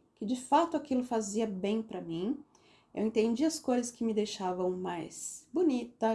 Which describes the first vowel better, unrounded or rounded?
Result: unrounded